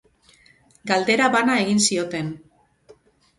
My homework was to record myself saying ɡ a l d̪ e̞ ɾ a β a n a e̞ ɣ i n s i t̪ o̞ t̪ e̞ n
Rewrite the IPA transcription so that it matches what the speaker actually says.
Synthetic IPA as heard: ɡ a l d̪ e̞ ɾ a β a n a e̞ ɣ i n s i o̞ t̪ e̞ n